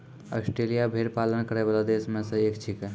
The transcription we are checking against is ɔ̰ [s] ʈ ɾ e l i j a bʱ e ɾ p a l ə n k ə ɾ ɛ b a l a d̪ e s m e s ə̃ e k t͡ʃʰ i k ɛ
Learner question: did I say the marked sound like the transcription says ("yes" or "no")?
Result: yes